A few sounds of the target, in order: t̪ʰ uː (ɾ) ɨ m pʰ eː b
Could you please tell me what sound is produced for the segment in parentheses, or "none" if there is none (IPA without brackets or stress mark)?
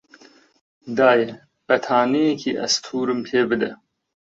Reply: ɾ